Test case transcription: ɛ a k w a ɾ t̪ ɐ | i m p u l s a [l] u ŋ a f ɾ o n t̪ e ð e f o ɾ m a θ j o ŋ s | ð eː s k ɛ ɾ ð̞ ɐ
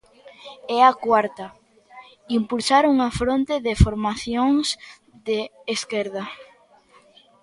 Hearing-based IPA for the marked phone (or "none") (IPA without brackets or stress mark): ɾ